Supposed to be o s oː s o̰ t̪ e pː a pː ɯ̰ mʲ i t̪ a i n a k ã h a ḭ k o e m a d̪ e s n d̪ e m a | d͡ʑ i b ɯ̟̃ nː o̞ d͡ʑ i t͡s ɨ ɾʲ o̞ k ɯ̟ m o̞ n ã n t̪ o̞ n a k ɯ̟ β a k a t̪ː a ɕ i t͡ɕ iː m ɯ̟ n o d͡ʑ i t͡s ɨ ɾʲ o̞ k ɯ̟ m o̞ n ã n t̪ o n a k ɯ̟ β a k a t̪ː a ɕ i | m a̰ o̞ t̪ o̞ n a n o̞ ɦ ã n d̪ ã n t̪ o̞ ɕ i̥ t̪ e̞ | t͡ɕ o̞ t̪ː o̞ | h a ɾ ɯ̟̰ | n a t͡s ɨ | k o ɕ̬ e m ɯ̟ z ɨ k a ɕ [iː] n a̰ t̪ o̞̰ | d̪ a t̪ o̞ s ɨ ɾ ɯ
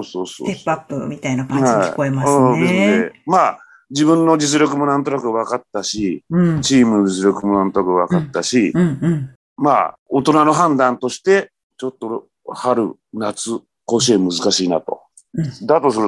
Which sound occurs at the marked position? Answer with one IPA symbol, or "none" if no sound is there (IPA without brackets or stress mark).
iː